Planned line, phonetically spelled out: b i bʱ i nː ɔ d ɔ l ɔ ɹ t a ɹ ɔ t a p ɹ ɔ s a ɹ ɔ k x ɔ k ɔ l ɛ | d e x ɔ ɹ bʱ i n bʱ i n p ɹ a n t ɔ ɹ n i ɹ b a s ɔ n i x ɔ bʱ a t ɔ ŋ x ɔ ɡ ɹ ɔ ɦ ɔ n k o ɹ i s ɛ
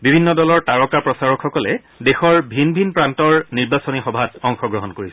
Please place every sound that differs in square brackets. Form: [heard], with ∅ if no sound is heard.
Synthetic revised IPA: b i bʱ i nː ɔ d ɔ l ɔ ɹ t a ɹ ɔ [k] a p ɹ ɔ s a ɹ ɔ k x ɔ k ɔ l ɛ | d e x ɔ ɹ bʱ i n bʱ i n p ɹ a n t ɔ ɹ n i ɹ b a s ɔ n i x ɔ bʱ a t ɔ ŋ x ɔ ɡ ɹ ɔ ɦ ɔ n k o ɹ i s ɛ